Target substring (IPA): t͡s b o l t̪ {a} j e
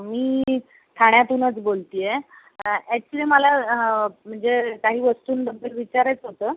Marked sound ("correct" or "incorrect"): incorrect